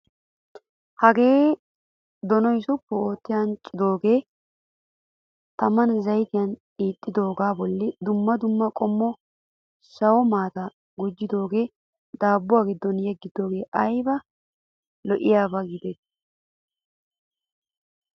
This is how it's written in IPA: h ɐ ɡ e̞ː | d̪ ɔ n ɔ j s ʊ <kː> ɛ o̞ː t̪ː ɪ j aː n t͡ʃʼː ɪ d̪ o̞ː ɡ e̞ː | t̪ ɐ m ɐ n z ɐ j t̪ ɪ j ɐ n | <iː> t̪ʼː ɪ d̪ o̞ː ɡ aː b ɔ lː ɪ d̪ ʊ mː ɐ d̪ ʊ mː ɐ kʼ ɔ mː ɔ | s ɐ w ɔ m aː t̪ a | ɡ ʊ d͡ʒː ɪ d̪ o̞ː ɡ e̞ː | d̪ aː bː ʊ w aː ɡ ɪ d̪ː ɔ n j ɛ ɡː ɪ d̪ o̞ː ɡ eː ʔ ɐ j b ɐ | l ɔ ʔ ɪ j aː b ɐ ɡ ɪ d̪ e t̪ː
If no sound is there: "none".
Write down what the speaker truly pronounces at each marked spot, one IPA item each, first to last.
pː, iː

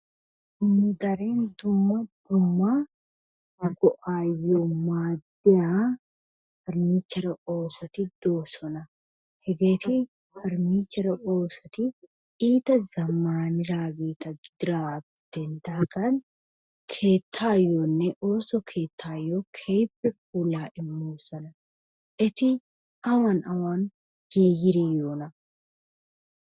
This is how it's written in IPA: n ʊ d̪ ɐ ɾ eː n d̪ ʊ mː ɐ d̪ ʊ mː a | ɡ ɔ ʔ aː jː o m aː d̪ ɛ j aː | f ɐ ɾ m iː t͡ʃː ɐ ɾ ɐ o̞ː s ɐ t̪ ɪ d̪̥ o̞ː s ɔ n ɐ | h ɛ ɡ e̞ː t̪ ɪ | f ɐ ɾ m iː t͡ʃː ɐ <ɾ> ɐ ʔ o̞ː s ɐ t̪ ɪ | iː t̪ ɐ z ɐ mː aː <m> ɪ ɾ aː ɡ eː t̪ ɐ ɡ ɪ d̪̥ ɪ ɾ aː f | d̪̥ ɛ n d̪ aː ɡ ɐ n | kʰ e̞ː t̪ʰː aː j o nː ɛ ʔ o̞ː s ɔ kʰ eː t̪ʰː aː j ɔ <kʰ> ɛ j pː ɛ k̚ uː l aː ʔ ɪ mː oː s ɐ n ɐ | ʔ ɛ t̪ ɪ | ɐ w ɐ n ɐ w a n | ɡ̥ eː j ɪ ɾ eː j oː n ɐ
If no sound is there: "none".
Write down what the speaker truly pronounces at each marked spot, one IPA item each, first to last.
ɾ, n, kʰ

